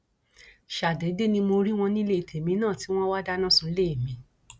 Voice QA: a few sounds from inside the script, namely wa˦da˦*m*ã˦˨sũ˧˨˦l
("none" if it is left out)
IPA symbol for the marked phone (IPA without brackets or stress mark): n